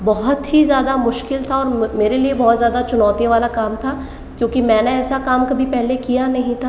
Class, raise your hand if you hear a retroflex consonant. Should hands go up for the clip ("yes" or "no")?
no